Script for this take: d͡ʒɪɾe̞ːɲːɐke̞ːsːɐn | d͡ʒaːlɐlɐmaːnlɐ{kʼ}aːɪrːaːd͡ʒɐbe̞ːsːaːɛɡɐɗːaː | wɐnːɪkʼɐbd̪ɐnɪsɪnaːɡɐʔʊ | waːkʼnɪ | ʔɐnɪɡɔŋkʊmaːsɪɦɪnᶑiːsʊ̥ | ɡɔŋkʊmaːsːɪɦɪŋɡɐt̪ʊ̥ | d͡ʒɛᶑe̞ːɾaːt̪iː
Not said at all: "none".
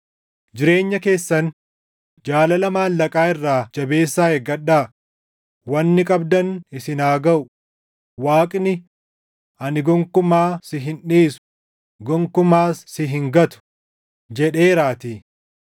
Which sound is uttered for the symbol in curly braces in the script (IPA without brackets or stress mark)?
kʼ